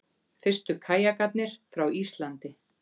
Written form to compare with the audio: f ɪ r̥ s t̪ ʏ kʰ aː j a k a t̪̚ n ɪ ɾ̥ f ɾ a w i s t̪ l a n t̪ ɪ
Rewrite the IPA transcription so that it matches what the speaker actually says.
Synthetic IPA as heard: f ɪ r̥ s t̪ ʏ kʰ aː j a k a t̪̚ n ɪ ɾ̥ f ɾ a w i s t̪ l a n t̪ ɪ

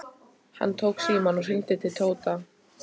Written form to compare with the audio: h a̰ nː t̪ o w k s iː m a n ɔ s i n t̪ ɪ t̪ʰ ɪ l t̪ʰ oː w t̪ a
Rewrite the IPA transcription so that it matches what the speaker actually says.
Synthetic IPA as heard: h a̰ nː t̪ʰ o w k s iː m a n ɔ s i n t̪ ɪ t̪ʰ ɪ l t̪ʰ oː w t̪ a

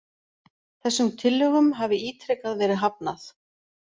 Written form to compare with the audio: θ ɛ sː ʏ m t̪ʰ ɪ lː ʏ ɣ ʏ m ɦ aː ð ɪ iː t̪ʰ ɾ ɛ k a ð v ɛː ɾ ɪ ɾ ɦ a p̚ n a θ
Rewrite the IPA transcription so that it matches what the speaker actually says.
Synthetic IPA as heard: θ ɛ sː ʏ m t̪ʰ ɪ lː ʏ ɣ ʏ m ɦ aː v ɪ iː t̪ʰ ɾ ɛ k a ð v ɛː ɾ ɪ ɦ a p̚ n a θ

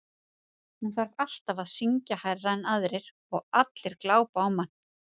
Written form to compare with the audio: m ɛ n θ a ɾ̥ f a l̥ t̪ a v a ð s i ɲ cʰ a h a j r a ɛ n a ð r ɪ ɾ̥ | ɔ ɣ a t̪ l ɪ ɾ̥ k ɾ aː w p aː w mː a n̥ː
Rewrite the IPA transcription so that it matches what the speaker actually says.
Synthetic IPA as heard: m ɛ n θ a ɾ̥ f a l̥ t̪ a v a ð s i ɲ c a h a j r a ɛ n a ð ɾ ɪ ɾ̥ | ɔ ɣ a t̪ l ɪ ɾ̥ k l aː w p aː w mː a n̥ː

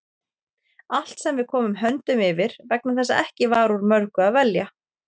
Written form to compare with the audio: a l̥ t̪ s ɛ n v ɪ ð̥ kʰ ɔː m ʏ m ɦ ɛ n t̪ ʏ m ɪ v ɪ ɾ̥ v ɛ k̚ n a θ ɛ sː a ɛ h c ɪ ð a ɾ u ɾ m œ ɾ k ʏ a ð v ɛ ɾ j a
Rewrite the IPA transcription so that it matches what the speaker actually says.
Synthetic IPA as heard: a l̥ t̪ s ɛ m v ɪ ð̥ kʰ ɔː m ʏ m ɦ œ n t̪ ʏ m ɪ v ɪ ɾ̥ v ɛ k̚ n a θ ɛ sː a ɛ h c ɪ v a ɾ u ɾ m œ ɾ k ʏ a ð v ɛ l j a

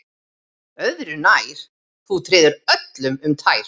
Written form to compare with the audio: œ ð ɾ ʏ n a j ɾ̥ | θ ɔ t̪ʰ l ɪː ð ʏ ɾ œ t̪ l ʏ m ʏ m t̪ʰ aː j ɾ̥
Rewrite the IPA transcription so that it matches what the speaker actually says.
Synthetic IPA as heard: œ ð ɾ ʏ n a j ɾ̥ | θ u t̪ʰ ɾ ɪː ð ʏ ɾ œ t̪ l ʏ m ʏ m t̪ʰ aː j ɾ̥

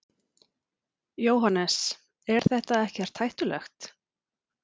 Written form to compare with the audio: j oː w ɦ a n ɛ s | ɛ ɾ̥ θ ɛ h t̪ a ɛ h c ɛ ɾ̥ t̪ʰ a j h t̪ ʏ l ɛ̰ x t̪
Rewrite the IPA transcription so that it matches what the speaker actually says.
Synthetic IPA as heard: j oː w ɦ a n ɛ s | ɛ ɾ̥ θ ɛ h t̪ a ɛ h c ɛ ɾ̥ t̪ʰ a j h t̪ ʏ l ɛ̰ x t̪

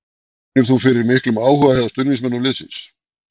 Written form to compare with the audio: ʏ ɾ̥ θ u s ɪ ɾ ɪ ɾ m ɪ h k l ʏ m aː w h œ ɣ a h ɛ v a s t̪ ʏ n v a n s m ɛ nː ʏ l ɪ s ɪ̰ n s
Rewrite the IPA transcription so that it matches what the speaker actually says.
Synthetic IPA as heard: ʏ ɾ̥ θ u f ɪ ɾ ɪ ɾ m ɪ h k l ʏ m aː w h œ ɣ a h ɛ ð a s t̪ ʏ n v i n s m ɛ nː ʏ l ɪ s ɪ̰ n s

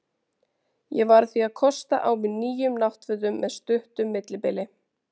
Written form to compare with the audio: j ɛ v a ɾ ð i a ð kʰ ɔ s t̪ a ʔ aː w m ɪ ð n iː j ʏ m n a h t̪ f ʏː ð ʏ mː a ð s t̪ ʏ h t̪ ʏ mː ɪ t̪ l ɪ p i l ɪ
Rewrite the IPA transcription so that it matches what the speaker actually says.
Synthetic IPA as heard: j ɛ v a ɾ θ i a ð kʰ ɔ s t̪ a ʔ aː w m ɪ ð n iː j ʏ m n a h t̪ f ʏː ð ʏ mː ɛ ð s t̪ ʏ h t̪ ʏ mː ɪ t̪ l ɪ p ɪ l ɪ

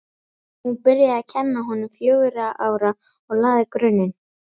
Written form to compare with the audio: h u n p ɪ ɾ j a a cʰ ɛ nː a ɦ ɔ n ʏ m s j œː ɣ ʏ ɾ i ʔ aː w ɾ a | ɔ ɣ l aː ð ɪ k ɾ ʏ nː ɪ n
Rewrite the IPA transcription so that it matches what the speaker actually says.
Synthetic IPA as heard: h u n p ɪ ɾ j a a cʰ ɛ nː a ɦ ɔ n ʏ m f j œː ɣ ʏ ɾ a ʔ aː w ɾ a | ɔ ɣ l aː ð ɪ k ɾ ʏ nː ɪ n

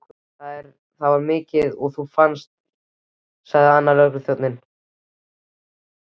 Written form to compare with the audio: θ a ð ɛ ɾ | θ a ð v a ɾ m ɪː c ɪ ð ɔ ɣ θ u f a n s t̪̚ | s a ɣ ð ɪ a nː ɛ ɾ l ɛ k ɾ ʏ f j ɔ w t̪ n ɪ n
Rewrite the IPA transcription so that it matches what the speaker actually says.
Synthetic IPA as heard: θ a ð ɛ ɾ | θ a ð v a ɾ m ɪː c ɪ ð ɔ ɣ θ u f a n s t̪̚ | s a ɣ ð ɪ a nː a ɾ l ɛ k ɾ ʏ θ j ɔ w t̪ n ɪ n

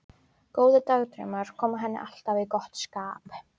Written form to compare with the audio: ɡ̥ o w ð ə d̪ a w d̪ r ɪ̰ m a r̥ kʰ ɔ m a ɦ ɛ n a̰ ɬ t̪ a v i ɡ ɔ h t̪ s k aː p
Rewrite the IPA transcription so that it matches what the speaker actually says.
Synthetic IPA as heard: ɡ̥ o w ð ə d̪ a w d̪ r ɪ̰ m a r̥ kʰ ɔ m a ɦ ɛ n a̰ ɬ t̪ a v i ɡ ɔ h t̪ s k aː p

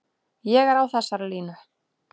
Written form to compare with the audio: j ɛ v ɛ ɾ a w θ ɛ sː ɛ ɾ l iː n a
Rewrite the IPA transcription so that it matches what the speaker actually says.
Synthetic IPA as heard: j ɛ ɣ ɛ ɾ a w θ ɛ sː a ɾ l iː n a

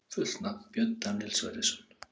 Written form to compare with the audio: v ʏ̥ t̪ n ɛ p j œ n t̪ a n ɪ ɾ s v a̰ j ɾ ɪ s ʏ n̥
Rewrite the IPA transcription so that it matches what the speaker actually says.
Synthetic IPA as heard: f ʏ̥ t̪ n a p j œ n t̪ a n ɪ l s v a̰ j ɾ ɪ s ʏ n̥

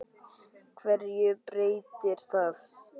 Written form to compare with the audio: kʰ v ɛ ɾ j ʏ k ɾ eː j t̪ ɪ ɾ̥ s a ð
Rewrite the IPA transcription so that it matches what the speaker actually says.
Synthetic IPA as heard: kʰ v ɛ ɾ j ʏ p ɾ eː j t̪ ɪ ɾ̥ θ a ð

